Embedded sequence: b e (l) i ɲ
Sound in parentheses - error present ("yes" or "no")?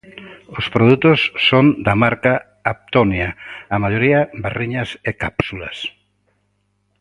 yes